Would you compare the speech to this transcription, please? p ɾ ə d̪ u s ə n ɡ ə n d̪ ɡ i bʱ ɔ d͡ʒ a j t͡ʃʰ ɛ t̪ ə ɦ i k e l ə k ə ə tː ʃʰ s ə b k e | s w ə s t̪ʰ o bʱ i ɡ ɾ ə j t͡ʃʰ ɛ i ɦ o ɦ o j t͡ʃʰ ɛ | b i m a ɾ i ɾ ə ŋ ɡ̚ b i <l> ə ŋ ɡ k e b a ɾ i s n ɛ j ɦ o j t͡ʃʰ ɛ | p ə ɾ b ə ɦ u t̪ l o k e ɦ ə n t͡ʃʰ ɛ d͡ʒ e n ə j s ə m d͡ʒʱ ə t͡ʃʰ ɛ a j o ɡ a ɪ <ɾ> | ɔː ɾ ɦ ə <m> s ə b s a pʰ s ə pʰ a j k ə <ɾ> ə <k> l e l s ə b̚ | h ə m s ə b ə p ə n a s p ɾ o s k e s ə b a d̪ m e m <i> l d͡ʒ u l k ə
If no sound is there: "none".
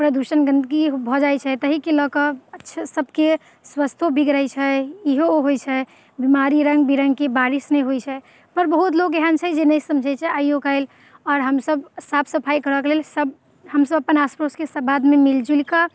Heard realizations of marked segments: ɾ, l, m, ɾ, k, i

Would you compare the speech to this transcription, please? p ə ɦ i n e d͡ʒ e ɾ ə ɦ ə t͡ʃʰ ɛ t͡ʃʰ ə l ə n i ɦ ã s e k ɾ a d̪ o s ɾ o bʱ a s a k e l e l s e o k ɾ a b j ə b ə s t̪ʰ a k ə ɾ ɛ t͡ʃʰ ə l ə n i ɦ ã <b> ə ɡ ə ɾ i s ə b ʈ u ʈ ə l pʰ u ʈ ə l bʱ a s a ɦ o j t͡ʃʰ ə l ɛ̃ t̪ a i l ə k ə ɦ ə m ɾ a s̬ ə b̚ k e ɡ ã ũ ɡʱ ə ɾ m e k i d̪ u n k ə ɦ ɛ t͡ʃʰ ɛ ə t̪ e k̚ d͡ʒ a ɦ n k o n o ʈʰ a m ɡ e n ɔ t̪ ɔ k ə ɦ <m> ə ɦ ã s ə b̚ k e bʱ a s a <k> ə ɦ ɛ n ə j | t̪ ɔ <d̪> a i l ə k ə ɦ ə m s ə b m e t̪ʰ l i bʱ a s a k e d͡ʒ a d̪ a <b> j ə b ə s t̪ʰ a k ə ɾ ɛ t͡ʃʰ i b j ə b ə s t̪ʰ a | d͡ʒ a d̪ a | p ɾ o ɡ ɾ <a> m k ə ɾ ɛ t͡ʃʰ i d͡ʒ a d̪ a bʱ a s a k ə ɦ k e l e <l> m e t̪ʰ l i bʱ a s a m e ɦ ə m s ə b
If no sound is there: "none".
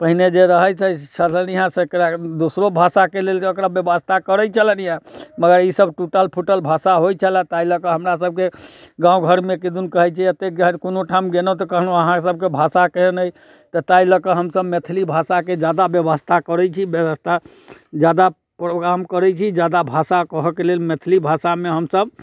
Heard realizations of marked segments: m, n, k, t̪, b, a, l

